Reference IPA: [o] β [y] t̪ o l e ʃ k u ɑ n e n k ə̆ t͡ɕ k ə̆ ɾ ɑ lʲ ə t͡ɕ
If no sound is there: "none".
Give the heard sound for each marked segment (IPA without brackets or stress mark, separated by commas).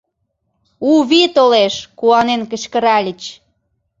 u, i